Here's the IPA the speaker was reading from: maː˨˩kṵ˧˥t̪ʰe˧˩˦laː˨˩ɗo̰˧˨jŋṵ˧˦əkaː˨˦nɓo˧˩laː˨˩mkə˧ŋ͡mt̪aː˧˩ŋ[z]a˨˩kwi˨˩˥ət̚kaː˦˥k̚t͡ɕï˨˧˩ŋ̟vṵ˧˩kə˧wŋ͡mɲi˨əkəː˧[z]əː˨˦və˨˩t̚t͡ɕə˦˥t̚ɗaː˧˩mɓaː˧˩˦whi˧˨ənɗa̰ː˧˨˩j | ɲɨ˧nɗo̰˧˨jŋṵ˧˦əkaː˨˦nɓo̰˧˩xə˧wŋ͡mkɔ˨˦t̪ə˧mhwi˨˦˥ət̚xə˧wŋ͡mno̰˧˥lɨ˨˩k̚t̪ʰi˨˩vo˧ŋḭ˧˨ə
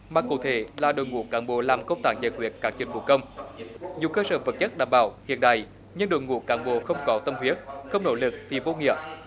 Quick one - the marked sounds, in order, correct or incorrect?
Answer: correct, incorrect

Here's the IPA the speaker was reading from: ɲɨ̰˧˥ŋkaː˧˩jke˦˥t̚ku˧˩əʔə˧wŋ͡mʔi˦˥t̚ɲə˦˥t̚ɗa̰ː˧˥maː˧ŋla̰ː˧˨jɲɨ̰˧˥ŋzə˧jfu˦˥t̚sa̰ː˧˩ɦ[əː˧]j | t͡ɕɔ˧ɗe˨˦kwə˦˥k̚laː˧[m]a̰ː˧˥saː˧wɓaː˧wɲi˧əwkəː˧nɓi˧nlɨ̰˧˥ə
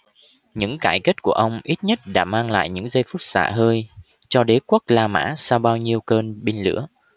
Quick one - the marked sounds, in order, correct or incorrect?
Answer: correct, correct

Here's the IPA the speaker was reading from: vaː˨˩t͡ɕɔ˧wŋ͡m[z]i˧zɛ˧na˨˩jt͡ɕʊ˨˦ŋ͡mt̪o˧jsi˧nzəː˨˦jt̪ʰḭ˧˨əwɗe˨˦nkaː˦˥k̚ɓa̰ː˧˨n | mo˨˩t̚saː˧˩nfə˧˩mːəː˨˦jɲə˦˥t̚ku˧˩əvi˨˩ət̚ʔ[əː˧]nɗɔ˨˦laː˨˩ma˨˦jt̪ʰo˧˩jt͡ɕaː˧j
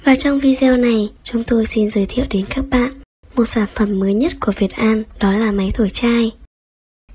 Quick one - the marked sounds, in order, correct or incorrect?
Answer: incorrect, incorrect

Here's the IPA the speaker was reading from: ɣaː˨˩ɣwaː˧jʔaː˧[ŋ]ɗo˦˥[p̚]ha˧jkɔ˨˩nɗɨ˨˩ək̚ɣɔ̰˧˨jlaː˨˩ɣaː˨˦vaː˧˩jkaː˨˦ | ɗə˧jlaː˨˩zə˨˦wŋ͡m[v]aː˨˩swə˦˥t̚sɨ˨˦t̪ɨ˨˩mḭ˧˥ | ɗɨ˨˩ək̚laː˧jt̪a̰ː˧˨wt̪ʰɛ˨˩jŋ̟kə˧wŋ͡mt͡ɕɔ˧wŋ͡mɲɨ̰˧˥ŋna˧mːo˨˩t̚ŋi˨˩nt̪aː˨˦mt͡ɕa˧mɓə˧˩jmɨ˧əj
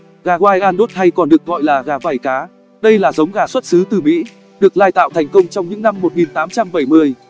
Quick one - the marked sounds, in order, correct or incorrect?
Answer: incorrect, incorrect, incorrect

